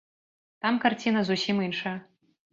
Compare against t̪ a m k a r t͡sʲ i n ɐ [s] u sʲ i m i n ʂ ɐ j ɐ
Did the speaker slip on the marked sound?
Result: yes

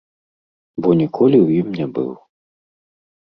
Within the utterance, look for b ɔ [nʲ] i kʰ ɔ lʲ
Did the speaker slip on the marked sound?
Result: no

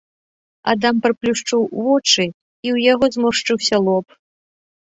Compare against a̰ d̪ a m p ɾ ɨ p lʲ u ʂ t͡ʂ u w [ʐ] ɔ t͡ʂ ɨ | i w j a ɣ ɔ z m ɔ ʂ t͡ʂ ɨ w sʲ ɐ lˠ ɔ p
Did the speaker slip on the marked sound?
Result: yes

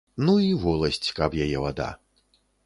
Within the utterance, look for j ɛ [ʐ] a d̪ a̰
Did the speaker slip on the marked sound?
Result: yes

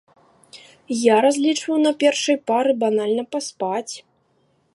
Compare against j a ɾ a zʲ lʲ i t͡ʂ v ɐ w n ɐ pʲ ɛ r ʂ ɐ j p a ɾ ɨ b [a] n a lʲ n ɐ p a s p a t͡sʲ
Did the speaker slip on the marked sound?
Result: no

